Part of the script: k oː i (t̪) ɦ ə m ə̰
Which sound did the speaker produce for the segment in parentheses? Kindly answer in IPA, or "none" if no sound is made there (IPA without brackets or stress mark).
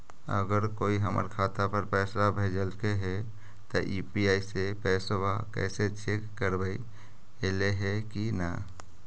none